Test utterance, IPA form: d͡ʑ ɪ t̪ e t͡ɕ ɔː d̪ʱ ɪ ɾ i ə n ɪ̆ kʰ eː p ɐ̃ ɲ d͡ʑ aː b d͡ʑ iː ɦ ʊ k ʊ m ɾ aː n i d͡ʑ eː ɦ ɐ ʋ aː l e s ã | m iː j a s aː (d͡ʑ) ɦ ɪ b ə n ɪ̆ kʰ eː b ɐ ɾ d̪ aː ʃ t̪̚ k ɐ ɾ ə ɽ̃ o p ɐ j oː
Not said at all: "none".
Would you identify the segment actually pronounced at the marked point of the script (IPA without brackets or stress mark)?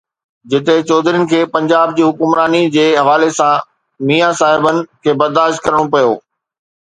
none